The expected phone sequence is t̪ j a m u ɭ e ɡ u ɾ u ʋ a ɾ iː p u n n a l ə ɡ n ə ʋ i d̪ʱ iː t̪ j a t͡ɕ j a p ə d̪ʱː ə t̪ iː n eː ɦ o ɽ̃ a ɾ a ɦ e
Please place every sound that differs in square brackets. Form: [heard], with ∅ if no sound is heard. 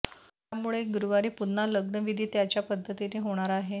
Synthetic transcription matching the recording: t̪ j a m u ɭ e ɡ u ɾ u ʋ a ɾ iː p u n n a l ə ɡ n ə ʋ i d̪ʱ iː t̪ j a t͡ɕ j a p ə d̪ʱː ə t̪ [i] n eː ɦ o ɽ̃ a ɾ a ɦ e